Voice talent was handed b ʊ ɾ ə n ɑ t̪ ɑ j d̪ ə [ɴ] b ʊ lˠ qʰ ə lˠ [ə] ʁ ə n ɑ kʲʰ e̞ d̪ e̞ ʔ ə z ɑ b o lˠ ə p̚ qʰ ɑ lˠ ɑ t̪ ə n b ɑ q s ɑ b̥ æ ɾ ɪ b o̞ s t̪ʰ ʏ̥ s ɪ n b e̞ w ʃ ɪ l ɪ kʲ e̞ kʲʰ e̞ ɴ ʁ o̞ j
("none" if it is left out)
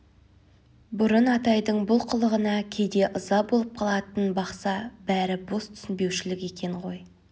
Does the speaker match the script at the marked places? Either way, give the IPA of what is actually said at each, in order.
ɴ, ə

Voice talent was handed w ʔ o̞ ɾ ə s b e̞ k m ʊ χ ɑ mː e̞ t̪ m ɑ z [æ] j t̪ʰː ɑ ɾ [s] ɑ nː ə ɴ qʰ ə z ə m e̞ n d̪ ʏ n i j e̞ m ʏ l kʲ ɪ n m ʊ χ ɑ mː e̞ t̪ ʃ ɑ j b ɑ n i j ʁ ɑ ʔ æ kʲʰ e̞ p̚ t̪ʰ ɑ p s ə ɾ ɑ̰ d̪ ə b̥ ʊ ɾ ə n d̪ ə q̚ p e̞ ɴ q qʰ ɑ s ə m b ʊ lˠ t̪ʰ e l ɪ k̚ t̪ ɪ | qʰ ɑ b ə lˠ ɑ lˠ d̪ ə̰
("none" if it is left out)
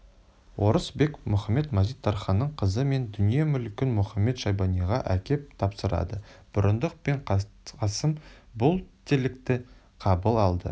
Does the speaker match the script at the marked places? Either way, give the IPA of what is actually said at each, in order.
i, χ

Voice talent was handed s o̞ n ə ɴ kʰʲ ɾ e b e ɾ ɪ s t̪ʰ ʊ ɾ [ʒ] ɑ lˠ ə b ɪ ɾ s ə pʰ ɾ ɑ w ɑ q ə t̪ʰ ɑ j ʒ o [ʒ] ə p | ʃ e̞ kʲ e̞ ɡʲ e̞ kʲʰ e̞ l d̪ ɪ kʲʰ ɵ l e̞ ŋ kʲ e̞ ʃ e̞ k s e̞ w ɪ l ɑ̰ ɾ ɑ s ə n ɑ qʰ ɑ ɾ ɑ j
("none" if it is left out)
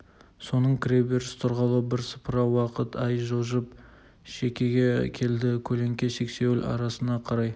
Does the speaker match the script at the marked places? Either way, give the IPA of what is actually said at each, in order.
ʁ, ʒ

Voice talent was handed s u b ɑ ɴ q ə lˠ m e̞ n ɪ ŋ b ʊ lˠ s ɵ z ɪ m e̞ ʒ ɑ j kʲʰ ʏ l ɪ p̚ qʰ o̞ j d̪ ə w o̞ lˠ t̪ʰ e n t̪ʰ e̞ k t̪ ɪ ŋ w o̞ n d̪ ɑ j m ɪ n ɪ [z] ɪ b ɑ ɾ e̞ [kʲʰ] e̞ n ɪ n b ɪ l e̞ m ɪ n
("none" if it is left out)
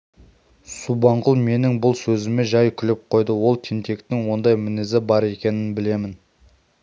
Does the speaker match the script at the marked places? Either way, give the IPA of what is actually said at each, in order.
z, kʲ

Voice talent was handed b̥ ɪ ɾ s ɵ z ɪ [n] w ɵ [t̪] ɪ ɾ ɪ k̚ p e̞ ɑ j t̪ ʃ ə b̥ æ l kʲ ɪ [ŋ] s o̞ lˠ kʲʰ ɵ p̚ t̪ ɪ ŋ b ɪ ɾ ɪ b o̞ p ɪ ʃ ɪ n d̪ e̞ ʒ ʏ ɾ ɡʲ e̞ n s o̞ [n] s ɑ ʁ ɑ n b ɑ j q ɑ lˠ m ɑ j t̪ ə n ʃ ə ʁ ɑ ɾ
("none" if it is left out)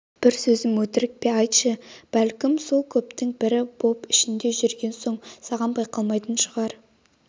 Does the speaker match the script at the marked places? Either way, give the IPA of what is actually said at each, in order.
m, t̪, m, ɴ

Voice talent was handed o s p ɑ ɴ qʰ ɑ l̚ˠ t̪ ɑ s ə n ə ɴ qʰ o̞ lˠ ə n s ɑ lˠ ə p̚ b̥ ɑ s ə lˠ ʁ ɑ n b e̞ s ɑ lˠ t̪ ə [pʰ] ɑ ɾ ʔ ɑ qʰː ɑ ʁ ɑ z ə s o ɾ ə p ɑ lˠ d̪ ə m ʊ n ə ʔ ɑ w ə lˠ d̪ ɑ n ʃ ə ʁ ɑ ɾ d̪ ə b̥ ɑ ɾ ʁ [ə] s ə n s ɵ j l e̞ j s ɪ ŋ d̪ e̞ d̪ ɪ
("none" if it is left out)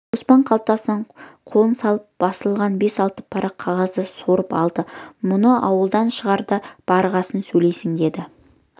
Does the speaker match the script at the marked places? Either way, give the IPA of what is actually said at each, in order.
pʰ, ɑ

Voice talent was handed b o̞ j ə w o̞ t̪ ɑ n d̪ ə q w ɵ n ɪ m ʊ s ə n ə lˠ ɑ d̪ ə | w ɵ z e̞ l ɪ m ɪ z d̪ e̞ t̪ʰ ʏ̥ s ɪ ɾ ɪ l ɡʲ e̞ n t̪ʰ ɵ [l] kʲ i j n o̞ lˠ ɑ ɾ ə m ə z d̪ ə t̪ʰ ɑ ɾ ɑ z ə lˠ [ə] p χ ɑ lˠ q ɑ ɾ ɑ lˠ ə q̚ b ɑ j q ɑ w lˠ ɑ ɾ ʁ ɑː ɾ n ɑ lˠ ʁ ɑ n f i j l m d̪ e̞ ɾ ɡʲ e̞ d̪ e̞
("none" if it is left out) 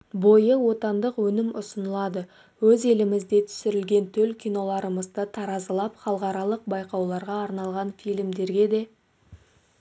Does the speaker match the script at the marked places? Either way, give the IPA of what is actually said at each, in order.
l, ɑ

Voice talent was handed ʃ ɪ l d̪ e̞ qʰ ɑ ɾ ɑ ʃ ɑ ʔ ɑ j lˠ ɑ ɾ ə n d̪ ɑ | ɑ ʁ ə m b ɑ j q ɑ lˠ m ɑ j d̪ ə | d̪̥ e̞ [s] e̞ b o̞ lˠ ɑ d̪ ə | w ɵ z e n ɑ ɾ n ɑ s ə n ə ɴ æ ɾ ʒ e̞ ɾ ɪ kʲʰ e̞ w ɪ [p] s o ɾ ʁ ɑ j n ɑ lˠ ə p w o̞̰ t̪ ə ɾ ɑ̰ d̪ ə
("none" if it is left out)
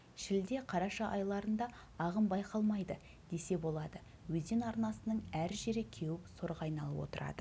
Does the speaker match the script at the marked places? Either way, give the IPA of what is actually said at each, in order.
s, p

